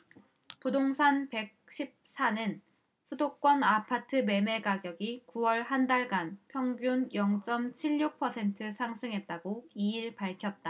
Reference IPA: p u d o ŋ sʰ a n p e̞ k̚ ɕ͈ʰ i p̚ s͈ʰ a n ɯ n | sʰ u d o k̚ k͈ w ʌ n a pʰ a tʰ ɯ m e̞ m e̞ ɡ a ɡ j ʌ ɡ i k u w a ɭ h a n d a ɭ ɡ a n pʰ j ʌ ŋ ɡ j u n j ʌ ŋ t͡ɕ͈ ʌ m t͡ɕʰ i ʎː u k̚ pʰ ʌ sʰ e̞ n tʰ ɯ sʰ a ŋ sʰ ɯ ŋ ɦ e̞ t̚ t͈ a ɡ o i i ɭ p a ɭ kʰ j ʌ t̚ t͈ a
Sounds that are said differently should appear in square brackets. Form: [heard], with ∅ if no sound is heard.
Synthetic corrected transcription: p u d o ŋ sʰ a n p e̞ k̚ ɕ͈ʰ i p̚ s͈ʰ a n ɯ n | sʰ u d o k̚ k͈ w ʌ n a pʰ a tʰ ɯ m e̞ m e̞ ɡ a ɡ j ʌ ɡ i k u w [ʌ] ɭ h a n d a ɭ ɡ a n pʰ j ʌ ŋ ɡ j u n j ʌ ŋ t͡ɕ͈ ʌ m t͡ɕʰ i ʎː u k̚ pʰ ʌ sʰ e̞ n tʰ ɯ sʰ a ŋ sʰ ɯ ŋ ɦ e̞ t̚ t͈ a ɡ o i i ɭ p a ɭ kʰ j ʌ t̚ t͈ a